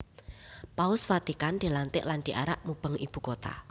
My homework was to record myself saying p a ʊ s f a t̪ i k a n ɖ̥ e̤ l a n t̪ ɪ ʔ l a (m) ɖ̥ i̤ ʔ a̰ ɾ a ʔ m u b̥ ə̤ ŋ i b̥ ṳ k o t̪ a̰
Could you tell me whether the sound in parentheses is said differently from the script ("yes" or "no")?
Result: yes